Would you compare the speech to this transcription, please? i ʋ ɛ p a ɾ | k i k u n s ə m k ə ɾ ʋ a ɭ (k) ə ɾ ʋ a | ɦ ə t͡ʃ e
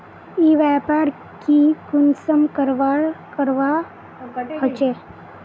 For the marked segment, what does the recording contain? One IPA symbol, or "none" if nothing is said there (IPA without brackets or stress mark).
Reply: k